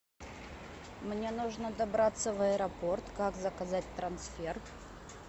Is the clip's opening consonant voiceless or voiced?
voiced